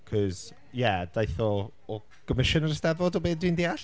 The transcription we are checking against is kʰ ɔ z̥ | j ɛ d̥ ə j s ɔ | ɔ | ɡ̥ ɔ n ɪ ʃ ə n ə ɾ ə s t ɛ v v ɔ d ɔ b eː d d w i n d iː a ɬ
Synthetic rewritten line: kʰ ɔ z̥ | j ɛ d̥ a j θ ɔ | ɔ | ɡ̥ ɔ m ɪ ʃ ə n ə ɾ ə s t ɛ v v ɔ d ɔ b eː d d w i n d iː a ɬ